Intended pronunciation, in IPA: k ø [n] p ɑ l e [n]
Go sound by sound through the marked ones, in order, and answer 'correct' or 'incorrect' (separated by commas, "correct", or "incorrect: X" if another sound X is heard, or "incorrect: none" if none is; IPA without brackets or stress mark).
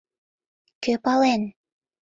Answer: incorrect: none, correct